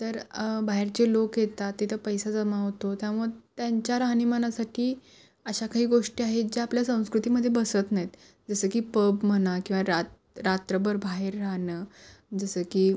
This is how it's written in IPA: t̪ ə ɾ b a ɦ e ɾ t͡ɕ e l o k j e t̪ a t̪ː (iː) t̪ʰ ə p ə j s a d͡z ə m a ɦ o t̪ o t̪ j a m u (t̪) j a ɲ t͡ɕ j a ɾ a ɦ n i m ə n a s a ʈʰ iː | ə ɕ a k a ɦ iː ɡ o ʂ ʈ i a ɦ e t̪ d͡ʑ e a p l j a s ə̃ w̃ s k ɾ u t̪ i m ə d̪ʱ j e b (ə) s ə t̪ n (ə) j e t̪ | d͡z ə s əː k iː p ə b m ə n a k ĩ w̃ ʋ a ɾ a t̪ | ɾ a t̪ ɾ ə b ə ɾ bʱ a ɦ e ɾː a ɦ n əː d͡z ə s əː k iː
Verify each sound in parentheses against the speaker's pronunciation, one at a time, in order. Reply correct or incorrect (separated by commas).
incorrect, correct, correct, incorrect